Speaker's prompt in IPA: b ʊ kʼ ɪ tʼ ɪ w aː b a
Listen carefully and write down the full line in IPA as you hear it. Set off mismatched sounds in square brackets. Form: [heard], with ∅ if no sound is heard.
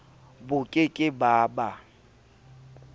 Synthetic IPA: b ʊ kʼ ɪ [kʼ] ɪ [b] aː b a